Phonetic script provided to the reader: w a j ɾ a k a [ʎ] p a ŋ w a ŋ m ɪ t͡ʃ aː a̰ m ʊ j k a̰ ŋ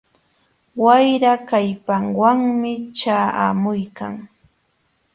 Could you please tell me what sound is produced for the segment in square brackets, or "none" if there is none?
j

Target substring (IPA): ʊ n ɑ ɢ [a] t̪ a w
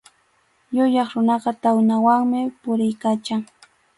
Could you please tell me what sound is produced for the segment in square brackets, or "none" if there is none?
ɑ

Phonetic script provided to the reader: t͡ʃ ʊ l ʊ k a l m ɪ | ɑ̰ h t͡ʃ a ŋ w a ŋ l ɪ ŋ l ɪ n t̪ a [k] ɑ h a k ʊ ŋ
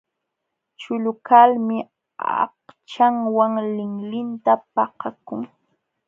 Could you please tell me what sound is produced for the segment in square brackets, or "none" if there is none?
p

